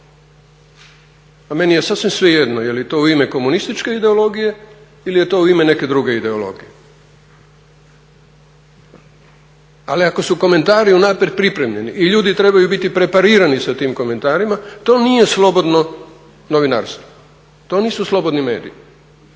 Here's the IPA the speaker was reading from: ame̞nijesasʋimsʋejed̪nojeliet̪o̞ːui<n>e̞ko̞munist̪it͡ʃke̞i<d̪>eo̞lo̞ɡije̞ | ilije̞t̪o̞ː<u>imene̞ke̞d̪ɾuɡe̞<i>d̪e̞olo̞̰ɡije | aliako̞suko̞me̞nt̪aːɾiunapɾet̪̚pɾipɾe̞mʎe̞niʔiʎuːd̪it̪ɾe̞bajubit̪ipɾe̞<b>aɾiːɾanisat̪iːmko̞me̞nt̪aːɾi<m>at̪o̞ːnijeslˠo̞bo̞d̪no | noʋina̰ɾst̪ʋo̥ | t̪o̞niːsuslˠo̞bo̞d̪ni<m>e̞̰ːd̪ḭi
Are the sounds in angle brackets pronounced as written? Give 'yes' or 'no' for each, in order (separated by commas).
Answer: no, yes, yes, yes, no, yes, yes